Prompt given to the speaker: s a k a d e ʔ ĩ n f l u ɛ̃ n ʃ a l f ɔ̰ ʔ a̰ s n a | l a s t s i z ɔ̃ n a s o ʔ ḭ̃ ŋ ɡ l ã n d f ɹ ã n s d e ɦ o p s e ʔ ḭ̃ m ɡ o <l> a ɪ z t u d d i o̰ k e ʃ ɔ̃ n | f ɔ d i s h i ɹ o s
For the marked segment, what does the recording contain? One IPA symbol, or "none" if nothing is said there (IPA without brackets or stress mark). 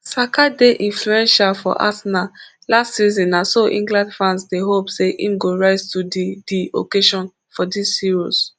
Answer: ɹ